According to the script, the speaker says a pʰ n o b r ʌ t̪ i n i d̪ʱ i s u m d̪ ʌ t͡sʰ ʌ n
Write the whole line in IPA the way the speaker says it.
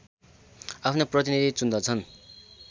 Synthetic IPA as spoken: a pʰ n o p r ʌ t̪ i n i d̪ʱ i t͡s u n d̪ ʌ t͡sʰ ʌ n